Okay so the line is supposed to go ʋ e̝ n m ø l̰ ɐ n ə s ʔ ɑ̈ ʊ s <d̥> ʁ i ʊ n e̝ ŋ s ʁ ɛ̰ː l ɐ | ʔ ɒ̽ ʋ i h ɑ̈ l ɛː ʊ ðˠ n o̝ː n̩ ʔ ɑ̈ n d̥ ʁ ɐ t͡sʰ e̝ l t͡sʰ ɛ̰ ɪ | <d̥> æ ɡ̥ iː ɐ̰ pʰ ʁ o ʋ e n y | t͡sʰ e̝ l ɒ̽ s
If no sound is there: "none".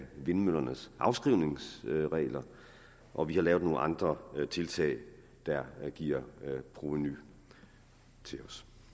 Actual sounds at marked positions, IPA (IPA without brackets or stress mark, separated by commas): ɡ̥, d̥